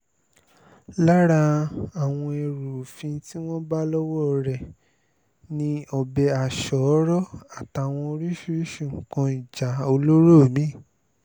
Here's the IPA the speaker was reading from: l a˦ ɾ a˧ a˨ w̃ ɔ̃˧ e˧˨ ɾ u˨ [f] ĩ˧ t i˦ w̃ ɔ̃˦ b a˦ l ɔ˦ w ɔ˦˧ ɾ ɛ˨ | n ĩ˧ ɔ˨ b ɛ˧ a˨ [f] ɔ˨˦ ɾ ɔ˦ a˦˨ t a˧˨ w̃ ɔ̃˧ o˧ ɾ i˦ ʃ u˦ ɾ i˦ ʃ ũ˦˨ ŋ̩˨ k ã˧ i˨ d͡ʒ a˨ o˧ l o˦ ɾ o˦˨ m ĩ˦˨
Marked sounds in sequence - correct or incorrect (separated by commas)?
correct, incorrect